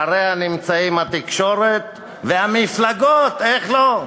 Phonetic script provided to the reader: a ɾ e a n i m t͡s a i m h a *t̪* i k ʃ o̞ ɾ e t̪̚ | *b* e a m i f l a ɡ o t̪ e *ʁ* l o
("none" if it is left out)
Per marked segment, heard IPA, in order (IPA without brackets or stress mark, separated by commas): t̪, v, χ